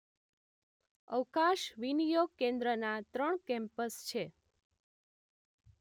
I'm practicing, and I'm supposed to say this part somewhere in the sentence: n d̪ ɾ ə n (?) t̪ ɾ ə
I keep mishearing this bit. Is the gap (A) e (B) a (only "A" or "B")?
B